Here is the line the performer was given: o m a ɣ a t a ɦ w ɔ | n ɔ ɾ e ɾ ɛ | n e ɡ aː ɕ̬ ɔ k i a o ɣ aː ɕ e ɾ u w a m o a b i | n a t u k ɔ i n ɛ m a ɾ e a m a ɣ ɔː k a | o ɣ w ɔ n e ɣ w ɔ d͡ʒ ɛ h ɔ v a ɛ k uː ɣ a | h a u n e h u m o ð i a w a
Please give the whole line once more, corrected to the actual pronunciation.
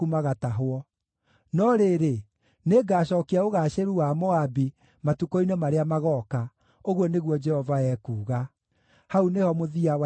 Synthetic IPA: u m a ɣ a t a ɦ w ɔ | n ɔ ɾ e ɾ e | n e ɡ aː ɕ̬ ɔ k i a o ɣ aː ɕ e ɾ u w a m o a b i | m a t u k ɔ i n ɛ m a ɾ e a m a ɣ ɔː k a | o ɣ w ɔ n e ɣ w ɔ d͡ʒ ɛ h ɔ v a ɛ k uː ɣ a | h a u n e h ɔ m o ð i a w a